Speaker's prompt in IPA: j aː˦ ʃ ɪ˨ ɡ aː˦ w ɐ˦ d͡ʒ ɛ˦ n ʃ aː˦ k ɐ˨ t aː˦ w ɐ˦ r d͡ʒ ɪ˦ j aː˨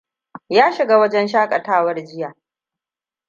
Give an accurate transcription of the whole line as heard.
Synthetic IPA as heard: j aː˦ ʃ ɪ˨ ɡ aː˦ w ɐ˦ d͡ʒ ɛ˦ n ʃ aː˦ kʼ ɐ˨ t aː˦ w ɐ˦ r d͡ʒ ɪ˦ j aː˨